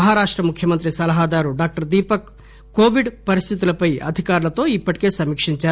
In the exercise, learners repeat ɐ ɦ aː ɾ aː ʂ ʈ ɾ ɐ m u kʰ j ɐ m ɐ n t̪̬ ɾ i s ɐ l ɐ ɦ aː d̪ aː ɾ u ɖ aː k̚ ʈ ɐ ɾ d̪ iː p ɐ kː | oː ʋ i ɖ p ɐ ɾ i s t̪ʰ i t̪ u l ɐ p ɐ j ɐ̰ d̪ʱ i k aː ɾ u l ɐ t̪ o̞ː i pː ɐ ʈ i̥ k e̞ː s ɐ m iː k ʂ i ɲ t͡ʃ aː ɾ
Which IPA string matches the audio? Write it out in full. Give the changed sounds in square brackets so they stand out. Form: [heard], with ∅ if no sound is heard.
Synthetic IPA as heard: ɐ ɦ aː ɾ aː ʂ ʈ ɾ ɐ m u kʰ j ɐ m ɐ n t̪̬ ɾ i s ɐ l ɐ ɦ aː d̪ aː ɾ u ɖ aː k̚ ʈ ɐ ɾ d̪ iː p ɐ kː | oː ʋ i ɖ p ɐ ɾ i s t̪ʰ i t̪ u l ɐ p ɐ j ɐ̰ d̪ʱ i k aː ɾ u l ɐ t̪ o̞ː i pː ɐ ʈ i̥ k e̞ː s ɐ m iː k ʂ i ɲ t͡ʃ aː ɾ